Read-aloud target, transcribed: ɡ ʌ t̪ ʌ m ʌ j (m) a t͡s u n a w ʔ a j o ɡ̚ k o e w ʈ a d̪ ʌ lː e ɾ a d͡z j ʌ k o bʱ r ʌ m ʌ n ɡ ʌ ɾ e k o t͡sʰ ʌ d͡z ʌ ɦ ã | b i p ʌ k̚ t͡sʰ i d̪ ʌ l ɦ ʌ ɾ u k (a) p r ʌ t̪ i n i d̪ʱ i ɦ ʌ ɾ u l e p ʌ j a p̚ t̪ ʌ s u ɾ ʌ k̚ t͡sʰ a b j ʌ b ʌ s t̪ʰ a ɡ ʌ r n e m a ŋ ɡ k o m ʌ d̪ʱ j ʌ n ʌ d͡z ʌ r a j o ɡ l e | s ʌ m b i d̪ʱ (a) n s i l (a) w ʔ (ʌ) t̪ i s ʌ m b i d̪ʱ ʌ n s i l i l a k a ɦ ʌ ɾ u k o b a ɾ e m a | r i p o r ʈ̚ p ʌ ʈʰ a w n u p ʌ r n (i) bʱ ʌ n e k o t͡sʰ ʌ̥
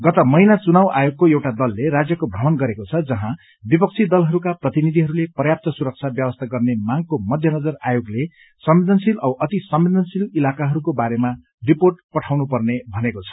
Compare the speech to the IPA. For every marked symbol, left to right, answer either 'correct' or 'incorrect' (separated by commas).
incorrect, correct, incorrect, incorrect, correct, incorrect